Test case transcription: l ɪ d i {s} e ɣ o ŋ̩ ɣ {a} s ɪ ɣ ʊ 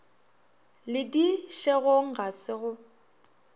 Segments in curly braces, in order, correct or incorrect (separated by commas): incorrect, correct